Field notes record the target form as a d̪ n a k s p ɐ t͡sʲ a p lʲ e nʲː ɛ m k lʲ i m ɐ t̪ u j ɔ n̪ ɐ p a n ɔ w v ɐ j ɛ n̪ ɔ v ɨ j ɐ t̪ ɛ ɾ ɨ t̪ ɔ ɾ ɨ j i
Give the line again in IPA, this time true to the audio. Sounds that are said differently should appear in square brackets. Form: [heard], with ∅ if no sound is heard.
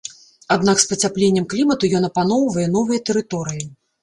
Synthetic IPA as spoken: a d̪ n a k s p ɐ t͡sʲ a p lʲ e nʲː ɛ m k lʲ i m ɐ t̪ u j ɔ n̪ ɐ p a n ɔ w v ɐ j ɛ n̪ ɔ v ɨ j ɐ t̪ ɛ ɾ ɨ t̪ ɔ ɾ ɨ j i